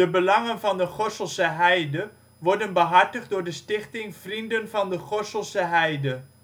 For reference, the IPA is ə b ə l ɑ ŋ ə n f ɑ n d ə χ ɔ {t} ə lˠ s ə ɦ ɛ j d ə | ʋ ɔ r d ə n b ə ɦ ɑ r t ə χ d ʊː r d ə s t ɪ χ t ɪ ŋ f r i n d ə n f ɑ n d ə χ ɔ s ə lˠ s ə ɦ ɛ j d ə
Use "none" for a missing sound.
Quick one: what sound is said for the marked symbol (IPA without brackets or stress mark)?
s